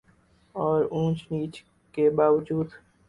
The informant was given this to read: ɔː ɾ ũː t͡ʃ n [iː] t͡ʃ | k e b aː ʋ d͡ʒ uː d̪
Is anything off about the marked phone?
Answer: no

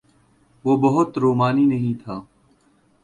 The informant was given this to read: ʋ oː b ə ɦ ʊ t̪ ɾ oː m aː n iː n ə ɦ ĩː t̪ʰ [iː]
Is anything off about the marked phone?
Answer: yes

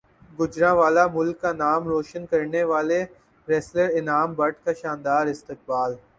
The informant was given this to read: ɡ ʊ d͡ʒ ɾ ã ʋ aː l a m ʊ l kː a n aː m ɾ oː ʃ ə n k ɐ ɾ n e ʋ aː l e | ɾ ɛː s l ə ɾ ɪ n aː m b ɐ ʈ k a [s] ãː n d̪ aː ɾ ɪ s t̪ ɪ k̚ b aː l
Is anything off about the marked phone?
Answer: yes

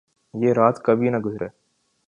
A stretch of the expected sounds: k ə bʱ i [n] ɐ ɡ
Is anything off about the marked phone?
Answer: no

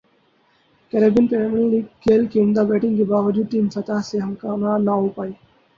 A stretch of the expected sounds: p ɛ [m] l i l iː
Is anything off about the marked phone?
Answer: no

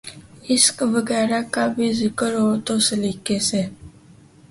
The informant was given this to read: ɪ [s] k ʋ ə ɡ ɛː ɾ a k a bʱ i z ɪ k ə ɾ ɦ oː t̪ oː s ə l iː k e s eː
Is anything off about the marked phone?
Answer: no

